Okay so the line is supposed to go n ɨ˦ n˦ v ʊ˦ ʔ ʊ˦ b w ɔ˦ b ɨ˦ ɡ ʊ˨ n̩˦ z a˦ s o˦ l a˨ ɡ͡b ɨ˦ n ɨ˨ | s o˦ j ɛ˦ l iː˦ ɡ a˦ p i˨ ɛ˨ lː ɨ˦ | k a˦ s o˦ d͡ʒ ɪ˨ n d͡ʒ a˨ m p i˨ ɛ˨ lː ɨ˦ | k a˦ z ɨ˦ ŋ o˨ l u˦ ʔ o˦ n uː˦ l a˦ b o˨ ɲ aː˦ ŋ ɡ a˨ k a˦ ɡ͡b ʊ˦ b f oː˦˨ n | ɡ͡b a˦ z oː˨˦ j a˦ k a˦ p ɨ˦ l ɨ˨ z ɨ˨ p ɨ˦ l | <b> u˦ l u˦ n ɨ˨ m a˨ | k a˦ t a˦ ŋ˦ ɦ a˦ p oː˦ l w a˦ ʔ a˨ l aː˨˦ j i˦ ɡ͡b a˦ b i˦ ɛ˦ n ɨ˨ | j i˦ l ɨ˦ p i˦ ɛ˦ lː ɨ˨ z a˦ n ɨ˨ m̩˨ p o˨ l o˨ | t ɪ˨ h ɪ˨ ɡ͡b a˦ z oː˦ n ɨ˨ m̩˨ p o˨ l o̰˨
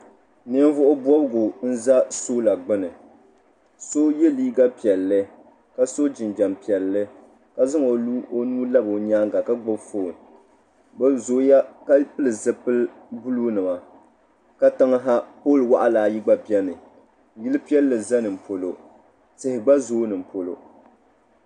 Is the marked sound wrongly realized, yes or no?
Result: no